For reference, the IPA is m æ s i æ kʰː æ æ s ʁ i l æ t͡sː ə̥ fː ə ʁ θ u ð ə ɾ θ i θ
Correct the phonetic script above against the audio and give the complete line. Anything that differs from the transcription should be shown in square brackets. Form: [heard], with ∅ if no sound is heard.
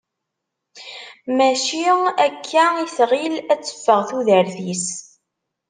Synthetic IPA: m æ [ʃ] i æ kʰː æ [i] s ʁ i l æ t͡sː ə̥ fː ə ʁ θ u ð ə ɾ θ i [s]